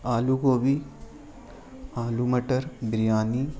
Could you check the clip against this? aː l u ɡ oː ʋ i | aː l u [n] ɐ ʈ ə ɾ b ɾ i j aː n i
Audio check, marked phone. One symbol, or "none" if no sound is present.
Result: m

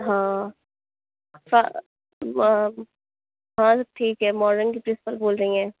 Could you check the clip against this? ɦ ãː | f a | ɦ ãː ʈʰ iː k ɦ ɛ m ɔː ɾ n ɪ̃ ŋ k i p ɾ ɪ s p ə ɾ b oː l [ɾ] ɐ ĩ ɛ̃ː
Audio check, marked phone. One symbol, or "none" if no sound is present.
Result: ɾ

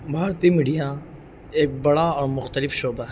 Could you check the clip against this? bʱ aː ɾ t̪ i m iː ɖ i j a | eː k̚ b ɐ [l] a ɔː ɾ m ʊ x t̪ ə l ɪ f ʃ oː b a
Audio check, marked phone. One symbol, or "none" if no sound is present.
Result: ɽ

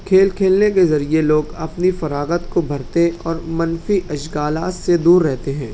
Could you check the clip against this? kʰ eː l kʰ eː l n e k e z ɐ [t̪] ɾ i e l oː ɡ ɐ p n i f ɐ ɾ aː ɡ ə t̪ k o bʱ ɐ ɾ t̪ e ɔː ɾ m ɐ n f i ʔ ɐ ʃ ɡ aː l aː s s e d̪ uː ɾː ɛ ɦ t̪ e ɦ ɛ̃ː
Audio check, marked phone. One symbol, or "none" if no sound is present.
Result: none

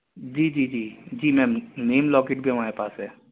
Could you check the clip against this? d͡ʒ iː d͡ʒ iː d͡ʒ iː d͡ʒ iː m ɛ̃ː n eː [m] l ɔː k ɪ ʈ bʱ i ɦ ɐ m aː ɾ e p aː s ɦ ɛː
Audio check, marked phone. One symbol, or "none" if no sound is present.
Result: m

